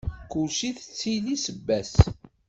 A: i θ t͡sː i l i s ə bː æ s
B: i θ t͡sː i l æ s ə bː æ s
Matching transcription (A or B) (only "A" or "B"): A